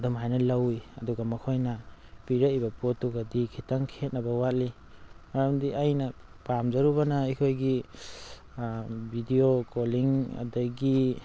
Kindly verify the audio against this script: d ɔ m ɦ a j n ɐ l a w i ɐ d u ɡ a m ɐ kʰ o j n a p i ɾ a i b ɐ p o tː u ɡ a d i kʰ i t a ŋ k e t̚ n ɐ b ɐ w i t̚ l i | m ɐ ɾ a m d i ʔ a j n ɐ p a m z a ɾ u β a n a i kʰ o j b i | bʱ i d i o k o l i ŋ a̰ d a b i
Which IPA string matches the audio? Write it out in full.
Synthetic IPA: d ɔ m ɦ a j n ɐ l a w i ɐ d u ɡ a m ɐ kʰ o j n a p i ɾ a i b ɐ p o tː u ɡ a d i kʰ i t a ŋ kʰ e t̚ n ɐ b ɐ w a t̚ l i | m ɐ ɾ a m d i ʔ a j n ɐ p a m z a ɾ u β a n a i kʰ o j ɡ i | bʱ i d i o k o l i ŋ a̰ d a ɡ i